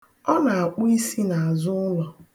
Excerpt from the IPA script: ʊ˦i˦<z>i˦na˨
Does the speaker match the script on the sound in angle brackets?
no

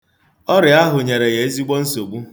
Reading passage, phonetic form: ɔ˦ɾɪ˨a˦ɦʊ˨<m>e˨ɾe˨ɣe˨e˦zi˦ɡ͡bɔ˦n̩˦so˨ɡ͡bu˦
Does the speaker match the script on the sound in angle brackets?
no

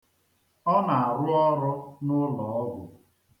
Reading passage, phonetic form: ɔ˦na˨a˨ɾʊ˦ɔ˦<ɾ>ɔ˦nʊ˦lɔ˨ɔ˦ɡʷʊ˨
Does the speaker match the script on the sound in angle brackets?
yes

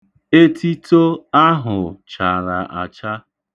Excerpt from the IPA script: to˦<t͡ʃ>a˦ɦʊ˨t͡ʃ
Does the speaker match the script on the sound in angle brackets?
no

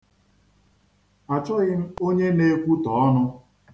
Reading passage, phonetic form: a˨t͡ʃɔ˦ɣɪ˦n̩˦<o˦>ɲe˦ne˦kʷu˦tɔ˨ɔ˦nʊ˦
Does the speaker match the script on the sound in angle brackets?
yes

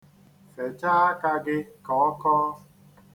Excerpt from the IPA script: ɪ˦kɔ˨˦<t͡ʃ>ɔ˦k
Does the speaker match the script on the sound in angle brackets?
no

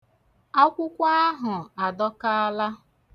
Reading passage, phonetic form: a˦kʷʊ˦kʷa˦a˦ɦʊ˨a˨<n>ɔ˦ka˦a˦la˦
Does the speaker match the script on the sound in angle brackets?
no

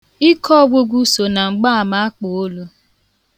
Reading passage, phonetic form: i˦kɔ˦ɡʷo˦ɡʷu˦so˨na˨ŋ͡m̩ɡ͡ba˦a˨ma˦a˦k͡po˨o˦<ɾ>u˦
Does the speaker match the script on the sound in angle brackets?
no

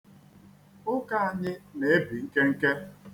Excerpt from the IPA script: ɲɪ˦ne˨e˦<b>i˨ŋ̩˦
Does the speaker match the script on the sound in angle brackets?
yes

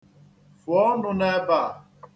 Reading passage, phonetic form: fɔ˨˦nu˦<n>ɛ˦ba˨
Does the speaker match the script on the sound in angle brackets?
yes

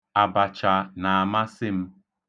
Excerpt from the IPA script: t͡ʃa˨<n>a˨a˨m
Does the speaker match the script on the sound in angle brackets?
yes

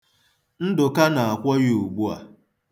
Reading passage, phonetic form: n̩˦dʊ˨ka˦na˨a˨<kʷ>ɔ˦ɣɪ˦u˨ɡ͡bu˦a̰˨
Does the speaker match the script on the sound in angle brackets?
yes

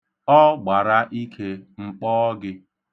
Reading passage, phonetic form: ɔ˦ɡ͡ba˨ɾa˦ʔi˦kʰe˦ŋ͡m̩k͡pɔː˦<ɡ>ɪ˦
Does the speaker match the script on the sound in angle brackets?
yes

